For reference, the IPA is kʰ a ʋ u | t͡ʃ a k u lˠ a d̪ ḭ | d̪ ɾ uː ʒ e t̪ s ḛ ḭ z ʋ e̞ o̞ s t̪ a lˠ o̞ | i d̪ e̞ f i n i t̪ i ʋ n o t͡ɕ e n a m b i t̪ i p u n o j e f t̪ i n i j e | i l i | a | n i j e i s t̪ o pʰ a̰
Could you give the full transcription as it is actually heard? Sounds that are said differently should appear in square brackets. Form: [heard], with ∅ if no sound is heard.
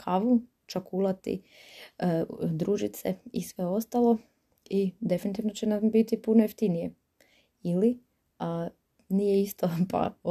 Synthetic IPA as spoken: kʰ a ʋ u | t͡ʃ a k u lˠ a [t̪] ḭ | d̪ ɾ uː ʒ [i] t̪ s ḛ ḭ [s] ʋ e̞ o̞ s t̪ a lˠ o̞ | i d̪ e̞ f i n i t̪ i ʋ n o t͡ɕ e n a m b i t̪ i p u n o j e f t̪ i n i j e | i l i | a | n i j e i s t̪ o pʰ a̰